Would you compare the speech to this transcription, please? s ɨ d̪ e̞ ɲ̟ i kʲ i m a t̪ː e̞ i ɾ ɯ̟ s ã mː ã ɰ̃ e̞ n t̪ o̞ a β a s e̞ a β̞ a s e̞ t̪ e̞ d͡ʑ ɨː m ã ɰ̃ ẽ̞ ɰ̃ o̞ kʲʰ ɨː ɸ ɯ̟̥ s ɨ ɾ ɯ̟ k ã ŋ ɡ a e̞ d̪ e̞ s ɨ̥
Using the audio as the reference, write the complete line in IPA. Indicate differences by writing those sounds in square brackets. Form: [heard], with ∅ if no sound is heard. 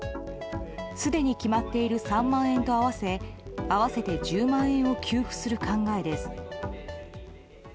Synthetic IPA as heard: s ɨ d̪ e̞ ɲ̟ i kʲ i m a t̪ː e̞ i ɾ ɯ̟ s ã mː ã ɰ̃ [ẽ̞] n t̪ o̞ a β a s e̞ a β̞ a s e̞ t̪ e̞ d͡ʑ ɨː m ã ɰ̃ ẽ̞ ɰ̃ o̞ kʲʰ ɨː ɸ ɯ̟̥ s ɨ ɾ ɯ̟ k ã ŋ ɡ a e̞ d̪ e̞ s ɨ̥